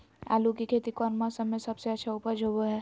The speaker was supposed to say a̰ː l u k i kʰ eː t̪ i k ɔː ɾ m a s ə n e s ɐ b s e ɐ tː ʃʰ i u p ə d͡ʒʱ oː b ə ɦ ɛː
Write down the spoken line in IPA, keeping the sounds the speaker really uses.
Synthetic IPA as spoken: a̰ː l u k i kʰ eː t̪ i k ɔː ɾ m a s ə m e s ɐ b s e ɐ tː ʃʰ a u p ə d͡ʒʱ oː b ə ɦ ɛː

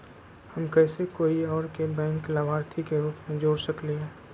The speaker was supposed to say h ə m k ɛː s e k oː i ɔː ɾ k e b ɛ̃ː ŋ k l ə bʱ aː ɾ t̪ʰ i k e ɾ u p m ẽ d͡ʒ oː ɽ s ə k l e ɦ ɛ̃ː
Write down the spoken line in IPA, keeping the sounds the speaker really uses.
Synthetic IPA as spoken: h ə m k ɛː s e k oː i ɔː ɾ k e b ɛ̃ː ŋ k l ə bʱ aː ɾ t̪ʰ i k e ɾ uː p m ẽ d͡ʒ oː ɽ s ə k l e ɦ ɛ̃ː

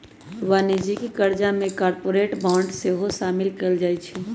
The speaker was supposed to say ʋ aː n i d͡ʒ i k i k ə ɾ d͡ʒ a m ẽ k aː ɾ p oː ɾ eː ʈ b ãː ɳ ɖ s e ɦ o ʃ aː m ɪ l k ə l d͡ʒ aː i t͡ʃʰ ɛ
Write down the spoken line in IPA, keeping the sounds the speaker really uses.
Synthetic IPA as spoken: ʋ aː n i d͡ʒ i k i k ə ɾ d͡ʒ a m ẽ k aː ɾ p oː ɾ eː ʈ b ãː ɳ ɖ s e ɦ o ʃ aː m ɪ l k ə l d͡ʒ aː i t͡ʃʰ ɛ

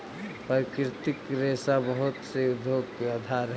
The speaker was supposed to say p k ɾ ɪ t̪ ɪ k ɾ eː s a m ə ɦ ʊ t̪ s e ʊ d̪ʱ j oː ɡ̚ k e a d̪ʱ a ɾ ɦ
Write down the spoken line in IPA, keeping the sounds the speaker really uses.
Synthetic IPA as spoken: p k ɾ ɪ t̪ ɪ k ɾ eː s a b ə ɦ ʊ t̪ s e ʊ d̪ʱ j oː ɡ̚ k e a d̪ʱ a ɾ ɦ

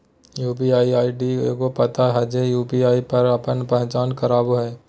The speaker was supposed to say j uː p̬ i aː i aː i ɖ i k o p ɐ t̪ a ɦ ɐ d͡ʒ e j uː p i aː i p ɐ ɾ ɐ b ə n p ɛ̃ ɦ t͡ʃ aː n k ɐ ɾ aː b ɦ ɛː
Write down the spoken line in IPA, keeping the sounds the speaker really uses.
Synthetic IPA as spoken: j uː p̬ i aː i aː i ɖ i k o p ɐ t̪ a ɦ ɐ d͡ʒ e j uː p i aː i p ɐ ɾ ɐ p ə n p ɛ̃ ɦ t͡ʃ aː n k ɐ ɾ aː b ɦ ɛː

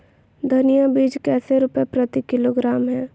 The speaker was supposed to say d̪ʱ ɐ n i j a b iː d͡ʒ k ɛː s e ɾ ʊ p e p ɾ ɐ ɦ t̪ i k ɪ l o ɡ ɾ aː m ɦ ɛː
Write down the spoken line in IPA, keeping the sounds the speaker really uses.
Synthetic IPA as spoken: d̪ʱ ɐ n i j a b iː d͡ʒ k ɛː s e ɾ ʊ p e p ɾ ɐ t̪ i k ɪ l o ɡ ɾ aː m ɦ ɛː

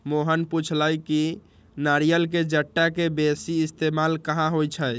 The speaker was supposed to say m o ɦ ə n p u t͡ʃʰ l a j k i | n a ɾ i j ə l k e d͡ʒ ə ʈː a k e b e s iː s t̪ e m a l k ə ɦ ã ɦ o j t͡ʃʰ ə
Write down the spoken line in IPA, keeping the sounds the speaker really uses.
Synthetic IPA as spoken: m o ɦ ə n p u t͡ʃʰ l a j k i | n a ɾ i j ə l k e d͡ʒ ə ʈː a k e b e s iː s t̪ e m a l k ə ɦ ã ɦ o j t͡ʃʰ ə

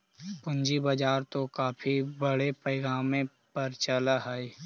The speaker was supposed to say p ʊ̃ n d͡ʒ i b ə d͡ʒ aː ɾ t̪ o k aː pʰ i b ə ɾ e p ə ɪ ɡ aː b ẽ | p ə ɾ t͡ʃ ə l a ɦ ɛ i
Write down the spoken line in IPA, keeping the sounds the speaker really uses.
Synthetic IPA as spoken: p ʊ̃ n d͡ʒ i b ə d͡ʒ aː ɾ t̪ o k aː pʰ i b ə ɽ e p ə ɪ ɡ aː m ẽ | p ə ɾ t͡ʃ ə l a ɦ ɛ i

